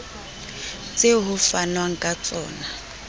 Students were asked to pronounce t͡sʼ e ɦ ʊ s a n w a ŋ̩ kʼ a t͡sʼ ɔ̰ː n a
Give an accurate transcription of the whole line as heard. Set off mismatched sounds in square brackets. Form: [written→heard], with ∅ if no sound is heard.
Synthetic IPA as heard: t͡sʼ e ɦ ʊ [s→f] a n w a ŋ̩ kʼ a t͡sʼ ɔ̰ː n a